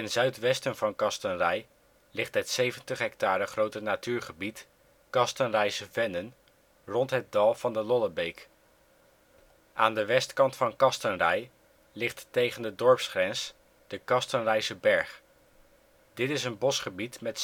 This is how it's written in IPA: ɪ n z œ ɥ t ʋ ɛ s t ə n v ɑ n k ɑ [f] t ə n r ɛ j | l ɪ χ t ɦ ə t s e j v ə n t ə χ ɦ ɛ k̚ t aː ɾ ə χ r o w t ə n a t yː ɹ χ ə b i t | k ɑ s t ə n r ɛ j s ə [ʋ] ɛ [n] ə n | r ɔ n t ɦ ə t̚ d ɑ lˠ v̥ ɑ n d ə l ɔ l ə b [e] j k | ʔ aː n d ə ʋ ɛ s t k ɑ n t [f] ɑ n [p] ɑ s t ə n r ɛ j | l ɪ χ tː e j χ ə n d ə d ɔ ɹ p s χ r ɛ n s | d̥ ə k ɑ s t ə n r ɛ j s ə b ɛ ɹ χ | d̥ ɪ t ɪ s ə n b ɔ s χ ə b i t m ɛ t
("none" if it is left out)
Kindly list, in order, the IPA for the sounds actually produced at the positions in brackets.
s, v, n, e, f, k

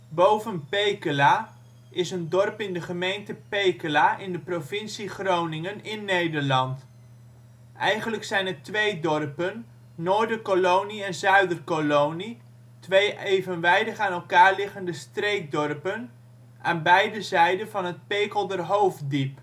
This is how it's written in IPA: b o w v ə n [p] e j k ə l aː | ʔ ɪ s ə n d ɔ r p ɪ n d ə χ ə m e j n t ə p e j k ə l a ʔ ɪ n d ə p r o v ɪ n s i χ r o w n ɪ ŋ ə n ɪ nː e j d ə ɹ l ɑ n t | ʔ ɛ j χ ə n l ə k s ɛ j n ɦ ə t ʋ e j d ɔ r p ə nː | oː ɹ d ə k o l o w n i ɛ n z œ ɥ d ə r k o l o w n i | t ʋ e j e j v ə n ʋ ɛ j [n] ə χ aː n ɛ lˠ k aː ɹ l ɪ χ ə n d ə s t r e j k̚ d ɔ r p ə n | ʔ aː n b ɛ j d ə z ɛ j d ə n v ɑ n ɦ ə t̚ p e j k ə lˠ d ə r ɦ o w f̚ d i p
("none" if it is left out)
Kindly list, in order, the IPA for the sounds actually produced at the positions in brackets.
p, d

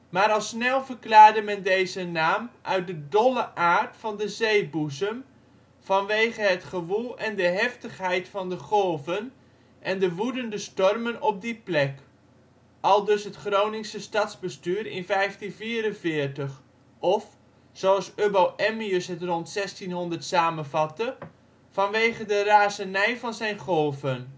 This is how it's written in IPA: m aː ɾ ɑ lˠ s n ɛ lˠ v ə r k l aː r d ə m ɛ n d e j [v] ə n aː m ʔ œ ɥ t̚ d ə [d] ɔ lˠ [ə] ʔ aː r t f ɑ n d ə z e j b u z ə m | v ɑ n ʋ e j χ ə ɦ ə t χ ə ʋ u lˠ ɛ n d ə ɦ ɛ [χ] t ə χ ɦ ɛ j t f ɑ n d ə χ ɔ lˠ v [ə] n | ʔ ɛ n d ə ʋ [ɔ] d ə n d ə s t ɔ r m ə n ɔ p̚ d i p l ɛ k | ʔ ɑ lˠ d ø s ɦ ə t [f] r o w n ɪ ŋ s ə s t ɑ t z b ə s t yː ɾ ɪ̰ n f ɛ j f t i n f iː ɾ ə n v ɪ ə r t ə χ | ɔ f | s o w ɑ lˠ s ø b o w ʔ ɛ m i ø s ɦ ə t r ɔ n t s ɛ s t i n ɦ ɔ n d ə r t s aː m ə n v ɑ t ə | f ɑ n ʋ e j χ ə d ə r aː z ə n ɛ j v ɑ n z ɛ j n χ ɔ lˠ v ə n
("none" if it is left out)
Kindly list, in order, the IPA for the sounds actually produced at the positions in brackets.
z, d, ə, f, ə, u, χ

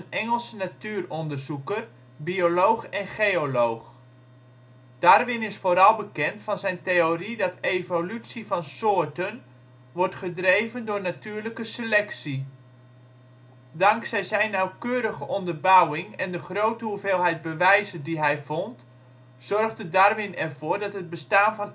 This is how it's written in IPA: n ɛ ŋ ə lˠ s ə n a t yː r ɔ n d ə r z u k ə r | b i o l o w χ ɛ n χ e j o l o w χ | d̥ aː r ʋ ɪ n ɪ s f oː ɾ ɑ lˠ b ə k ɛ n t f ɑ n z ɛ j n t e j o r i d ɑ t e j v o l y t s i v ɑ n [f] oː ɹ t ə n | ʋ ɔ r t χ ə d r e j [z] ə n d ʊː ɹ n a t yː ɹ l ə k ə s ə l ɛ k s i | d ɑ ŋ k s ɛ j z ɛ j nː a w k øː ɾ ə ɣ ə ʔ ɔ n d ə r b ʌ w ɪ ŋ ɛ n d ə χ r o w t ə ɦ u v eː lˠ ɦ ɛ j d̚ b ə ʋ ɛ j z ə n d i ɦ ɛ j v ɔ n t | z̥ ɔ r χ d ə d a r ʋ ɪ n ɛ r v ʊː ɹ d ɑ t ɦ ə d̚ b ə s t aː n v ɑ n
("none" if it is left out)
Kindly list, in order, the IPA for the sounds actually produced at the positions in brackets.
s, v

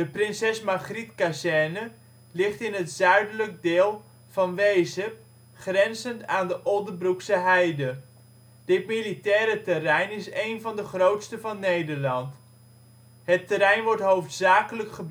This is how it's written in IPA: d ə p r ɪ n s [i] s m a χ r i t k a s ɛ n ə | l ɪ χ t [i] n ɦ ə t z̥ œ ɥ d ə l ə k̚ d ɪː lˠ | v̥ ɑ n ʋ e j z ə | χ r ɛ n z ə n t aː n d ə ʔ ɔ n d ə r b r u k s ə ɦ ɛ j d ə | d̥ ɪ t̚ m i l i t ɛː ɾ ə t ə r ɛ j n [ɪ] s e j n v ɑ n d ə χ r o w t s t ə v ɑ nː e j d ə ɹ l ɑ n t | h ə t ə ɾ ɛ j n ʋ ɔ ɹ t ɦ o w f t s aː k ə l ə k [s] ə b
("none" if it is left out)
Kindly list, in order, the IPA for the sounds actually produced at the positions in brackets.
ɛ, ɪ, ɪ, χ

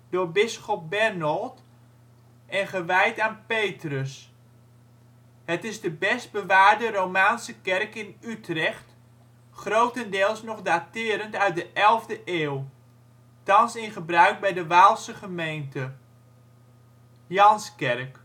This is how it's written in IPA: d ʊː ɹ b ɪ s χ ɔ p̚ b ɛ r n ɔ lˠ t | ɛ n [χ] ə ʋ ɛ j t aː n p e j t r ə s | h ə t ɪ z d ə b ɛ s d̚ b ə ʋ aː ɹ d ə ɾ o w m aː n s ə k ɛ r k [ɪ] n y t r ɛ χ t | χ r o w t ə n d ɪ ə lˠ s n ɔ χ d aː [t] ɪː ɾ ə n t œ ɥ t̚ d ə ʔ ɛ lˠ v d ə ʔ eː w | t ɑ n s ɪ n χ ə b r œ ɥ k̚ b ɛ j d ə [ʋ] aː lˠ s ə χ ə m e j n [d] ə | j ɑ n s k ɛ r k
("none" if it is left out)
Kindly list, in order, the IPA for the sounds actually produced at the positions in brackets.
χ, ɪ, t, ʋ, t

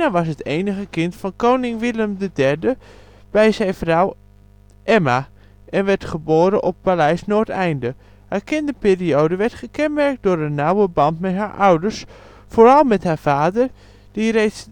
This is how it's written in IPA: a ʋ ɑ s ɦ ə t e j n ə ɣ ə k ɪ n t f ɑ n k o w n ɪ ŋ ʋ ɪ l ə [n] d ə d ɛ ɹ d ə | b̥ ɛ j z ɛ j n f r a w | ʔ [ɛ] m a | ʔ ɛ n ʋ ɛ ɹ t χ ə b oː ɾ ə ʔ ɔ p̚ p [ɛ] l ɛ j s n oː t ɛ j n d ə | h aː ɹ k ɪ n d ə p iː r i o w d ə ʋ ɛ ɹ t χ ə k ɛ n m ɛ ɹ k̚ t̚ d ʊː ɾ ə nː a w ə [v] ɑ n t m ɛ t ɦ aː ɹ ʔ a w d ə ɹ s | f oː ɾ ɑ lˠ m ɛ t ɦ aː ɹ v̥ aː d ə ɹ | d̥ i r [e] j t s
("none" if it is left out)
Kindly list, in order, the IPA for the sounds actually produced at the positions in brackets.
m, ɛ, a, b, e

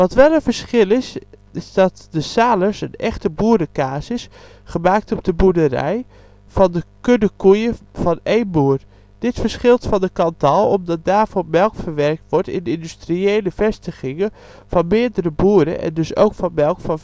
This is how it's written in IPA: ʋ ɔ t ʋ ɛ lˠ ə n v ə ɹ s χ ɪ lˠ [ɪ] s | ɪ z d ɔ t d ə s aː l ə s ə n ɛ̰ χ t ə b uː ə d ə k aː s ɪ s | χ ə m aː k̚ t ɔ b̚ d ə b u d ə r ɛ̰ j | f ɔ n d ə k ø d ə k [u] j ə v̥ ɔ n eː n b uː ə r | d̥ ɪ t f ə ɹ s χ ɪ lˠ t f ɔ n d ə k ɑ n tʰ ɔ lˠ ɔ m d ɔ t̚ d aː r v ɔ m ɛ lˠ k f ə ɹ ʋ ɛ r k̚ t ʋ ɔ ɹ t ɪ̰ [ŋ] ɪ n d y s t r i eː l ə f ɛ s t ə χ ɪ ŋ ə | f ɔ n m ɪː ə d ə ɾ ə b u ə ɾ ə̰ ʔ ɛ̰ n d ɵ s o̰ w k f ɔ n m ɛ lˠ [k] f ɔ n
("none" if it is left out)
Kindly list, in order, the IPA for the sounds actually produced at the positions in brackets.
ɪ, u, n, k

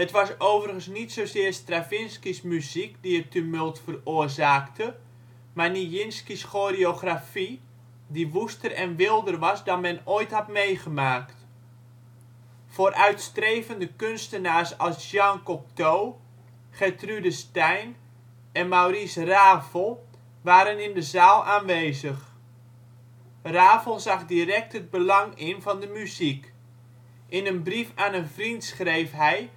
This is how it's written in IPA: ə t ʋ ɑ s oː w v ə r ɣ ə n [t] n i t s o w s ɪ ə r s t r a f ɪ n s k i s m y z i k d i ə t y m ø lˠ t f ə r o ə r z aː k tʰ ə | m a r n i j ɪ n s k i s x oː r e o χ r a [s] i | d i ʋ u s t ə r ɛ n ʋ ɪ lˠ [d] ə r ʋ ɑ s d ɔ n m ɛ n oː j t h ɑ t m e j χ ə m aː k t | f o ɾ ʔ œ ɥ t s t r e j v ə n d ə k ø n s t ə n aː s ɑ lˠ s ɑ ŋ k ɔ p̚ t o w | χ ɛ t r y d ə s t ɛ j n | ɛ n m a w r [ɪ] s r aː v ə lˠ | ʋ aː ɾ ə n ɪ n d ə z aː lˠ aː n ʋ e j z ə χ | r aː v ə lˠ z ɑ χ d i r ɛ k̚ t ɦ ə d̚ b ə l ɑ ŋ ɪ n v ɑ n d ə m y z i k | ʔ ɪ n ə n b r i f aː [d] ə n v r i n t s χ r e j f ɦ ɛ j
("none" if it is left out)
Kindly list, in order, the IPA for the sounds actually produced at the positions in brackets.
s, f, d, i, n

